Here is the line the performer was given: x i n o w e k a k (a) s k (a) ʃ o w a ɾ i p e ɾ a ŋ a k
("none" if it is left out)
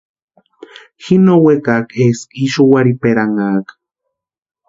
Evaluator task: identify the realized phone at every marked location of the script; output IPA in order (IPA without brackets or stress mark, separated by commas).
e, i